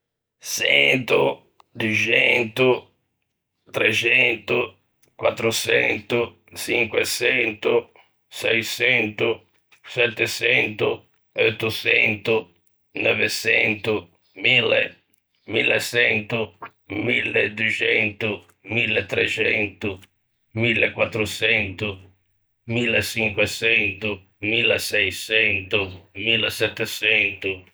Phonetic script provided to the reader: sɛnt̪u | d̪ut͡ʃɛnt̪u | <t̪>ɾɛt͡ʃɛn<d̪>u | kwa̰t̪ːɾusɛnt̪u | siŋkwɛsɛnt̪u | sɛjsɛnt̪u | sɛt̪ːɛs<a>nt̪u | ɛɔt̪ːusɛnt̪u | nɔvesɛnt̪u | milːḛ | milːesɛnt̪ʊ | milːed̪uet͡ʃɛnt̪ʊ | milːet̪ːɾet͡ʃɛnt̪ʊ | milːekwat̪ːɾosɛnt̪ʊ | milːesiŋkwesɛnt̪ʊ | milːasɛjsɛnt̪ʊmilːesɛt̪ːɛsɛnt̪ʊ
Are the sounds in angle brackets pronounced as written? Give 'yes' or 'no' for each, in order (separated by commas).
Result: yes, no, no